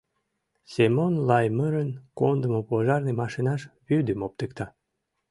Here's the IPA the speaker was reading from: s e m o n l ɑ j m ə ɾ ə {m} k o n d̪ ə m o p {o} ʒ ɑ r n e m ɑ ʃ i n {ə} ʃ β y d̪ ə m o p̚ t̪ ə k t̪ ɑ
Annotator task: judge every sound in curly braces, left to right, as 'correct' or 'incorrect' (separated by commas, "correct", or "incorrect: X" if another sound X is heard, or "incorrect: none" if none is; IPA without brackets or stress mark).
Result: incorrect: n, correct, incorrect: ɑ